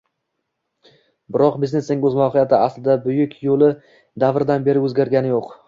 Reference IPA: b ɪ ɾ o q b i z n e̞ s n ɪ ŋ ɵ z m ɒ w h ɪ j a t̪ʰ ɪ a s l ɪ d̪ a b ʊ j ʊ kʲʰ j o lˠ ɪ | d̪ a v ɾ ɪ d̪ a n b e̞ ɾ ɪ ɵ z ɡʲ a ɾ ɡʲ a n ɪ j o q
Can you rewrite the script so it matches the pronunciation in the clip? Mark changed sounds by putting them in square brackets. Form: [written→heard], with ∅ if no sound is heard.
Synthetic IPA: b ɪ ɾ [o→ɒ] q b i z n e̞ s n ɪ ŋ ɵ z m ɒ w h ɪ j a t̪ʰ ɪ a s l ɪ d̪ a b ʊ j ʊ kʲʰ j o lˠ ɪ | d̪ a v ɾ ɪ d̪ a n b e̞ ɾ ɪ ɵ z ɡʲ a ɾ ɡʲ a n ɪ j o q